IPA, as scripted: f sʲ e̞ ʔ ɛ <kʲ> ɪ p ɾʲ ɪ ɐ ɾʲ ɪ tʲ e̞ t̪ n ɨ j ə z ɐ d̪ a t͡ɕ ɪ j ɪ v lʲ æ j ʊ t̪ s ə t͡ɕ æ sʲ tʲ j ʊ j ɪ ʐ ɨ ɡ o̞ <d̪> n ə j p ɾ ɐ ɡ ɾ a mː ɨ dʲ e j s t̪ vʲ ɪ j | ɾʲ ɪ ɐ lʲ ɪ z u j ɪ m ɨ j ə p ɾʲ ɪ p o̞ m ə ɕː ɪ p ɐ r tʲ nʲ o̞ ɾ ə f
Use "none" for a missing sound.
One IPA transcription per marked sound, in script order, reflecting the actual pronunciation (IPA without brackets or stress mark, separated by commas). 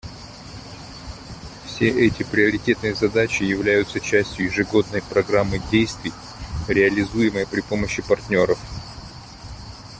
tʲ, d̪